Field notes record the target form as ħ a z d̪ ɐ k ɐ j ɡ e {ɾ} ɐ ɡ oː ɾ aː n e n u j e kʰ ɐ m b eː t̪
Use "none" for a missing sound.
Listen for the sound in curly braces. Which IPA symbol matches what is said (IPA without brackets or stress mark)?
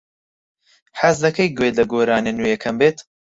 l